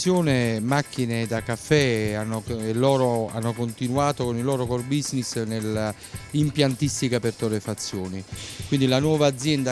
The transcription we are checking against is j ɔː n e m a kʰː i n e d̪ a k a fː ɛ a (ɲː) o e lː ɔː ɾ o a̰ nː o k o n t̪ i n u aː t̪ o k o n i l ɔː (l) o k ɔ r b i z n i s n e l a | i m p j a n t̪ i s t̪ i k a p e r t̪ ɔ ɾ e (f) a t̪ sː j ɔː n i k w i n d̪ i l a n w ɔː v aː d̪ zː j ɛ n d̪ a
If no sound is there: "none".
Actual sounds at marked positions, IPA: nː, ɾ, f

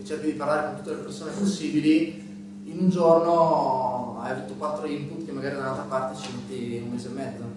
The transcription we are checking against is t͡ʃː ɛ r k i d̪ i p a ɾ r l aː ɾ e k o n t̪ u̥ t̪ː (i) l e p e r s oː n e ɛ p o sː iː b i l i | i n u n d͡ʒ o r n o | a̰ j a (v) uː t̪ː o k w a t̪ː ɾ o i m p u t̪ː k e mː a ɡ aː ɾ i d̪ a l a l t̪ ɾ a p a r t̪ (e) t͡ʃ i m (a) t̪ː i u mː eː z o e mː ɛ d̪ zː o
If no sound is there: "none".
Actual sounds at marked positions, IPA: e, v, e, e

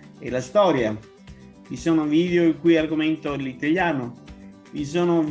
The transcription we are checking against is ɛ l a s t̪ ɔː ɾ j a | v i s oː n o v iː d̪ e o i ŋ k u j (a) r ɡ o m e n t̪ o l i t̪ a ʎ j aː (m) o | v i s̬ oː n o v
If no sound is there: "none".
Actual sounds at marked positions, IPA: a, n

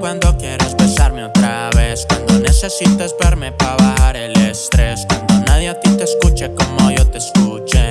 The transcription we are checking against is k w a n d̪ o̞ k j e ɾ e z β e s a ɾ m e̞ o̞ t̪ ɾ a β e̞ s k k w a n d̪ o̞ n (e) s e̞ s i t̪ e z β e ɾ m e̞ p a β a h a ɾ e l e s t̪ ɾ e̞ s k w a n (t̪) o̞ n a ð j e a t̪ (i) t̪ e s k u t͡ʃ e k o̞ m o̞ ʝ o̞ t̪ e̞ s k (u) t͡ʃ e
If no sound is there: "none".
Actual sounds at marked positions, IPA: e, d̪, i, u

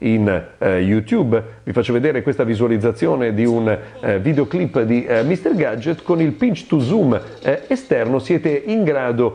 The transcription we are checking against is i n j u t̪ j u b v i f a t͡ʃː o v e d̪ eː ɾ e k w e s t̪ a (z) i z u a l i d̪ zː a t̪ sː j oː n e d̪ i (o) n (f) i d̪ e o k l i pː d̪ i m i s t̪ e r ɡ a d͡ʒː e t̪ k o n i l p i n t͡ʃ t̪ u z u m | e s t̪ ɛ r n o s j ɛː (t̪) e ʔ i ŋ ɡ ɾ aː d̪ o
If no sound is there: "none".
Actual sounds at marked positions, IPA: v, u, v, t̪

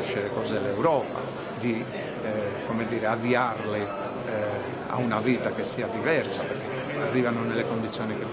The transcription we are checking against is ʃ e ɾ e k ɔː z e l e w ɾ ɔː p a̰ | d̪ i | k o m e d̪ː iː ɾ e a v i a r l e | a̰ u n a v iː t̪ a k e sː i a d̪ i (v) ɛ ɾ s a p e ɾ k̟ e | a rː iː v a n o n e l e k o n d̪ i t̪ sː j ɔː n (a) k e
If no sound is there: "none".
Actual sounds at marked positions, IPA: v, i

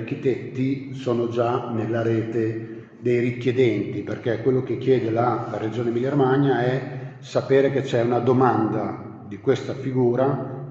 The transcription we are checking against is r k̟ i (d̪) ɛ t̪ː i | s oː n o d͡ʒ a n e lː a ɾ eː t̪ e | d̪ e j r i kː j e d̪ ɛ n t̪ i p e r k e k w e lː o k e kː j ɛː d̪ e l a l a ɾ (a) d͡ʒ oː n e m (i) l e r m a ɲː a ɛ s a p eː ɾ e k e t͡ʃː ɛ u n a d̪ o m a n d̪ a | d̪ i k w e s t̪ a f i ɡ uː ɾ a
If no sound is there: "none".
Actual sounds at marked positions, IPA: t̪, e, i

